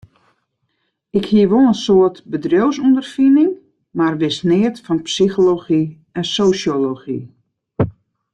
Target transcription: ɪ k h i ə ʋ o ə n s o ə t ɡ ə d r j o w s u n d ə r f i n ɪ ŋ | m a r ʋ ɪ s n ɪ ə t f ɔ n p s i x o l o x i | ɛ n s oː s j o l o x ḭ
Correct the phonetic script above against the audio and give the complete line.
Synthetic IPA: ɪ k h i ə ʋ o ə n s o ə t b ə d r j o w s u n d ə r f i n ɪ ŋ | m a r ʋ ɪ s n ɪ ə t f ɔ n p s i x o l o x i | ɛ n s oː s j o l o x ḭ